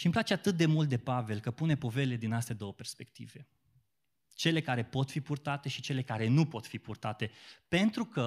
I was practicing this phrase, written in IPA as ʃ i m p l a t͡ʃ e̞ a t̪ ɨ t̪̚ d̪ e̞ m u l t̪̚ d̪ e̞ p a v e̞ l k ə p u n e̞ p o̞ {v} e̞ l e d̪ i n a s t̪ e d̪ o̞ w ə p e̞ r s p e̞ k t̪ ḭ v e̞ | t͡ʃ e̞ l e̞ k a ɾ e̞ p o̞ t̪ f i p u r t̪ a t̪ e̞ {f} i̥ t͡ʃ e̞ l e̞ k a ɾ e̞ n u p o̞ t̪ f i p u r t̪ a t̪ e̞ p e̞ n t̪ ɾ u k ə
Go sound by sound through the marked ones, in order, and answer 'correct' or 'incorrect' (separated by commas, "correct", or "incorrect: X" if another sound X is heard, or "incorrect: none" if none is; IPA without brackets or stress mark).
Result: correct, incorrect: ʃ